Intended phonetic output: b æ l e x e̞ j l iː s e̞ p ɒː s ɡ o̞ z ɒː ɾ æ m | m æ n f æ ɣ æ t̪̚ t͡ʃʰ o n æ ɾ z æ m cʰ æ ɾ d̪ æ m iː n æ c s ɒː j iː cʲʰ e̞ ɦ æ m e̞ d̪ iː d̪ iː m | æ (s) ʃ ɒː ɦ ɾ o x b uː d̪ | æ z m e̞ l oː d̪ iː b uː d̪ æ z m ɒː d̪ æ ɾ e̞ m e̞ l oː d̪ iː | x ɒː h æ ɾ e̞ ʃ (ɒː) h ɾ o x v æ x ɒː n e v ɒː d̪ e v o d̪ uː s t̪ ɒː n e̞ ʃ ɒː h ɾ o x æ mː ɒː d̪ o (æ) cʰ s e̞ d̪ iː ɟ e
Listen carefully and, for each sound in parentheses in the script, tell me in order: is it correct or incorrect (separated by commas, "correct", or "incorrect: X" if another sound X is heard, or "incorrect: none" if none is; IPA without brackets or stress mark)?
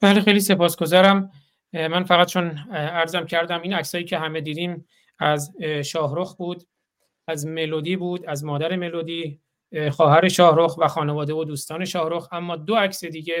incorrect: z, correct, correct